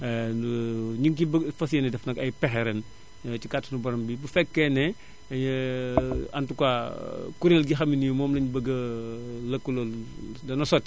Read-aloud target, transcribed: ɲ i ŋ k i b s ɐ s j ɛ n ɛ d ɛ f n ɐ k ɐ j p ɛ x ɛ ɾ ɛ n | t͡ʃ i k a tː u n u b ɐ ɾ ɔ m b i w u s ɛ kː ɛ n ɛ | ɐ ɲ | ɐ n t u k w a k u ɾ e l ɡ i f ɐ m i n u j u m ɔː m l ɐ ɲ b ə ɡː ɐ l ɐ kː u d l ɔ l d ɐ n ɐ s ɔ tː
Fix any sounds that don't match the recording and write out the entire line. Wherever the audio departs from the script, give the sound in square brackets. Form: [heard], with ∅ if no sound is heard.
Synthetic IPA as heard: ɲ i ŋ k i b [f] ɐ s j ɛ n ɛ d ɛ f n ɐ k ɐ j p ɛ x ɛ ɾ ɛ n | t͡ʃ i k a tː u n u b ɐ ɾ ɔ m b i [b] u [f] ɛ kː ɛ n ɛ | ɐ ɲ | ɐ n t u k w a k u ɾ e l ɡ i [x] ɐ m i n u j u m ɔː m l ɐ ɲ b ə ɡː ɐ l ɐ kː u [∅] l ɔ l d ɐ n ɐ s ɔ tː